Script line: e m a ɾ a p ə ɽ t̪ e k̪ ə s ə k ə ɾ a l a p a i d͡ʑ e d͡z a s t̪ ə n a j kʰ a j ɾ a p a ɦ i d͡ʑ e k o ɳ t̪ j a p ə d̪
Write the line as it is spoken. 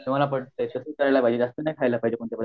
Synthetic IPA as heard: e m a l a p ə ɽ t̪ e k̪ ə s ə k ə ɾ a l a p a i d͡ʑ e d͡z a s t̪ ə n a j kʰ a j l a p a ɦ i d͡ʑ e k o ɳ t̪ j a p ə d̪